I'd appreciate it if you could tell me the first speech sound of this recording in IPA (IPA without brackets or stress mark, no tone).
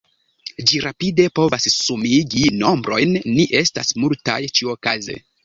d͡ʒ